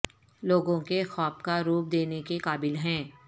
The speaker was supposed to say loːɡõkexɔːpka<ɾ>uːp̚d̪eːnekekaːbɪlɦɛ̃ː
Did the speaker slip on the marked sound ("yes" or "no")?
no